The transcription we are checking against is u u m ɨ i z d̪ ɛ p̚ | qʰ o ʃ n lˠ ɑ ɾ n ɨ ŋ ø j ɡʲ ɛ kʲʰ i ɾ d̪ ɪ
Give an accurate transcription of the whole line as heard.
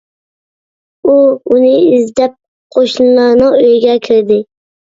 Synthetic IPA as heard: u u n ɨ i z d̪ ɛ p̚ | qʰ o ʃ n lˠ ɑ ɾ n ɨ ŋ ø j ɡʲ ɛ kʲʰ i ɾ d̪ ɪ